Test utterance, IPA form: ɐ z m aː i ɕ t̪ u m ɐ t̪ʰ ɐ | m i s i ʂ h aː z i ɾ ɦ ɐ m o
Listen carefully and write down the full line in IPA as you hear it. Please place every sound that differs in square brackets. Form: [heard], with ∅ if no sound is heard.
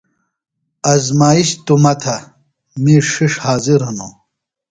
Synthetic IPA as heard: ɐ z m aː i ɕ t̪ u m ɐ t̪ʰ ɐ | m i [ʂ] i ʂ h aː z i ɾ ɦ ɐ [n] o